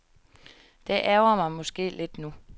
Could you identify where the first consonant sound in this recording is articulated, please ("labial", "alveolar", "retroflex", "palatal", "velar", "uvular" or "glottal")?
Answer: alveolar